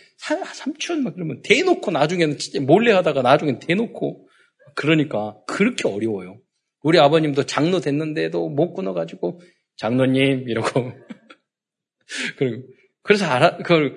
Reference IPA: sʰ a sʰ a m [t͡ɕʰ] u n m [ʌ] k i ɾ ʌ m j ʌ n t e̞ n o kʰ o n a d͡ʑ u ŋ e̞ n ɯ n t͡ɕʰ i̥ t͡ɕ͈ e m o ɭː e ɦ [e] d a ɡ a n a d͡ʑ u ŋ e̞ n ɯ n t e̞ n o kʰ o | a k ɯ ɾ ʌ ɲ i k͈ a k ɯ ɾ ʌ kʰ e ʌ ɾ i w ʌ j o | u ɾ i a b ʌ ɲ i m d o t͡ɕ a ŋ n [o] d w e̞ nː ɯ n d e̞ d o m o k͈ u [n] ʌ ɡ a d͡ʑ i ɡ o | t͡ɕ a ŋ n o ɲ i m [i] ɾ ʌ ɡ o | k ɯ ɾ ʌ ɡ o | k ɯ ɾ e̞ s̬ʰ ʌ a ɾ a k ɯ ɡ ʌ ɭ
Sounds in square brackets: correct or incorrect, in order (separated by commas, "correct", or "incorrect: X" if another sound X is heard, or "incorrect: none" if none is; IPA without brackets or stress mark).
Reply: correct, incorrect: a, incorrect: a, correct, correct, correct